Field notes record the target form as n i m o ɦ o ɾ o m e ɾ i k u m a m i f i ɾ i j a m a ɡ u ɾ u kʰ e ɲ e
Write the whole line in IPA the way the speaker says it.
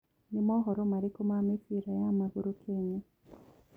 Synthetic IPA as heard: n i m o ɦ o ɾ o m a ɾ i k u m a m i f i ɾ a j a m a ɡ u ɾ u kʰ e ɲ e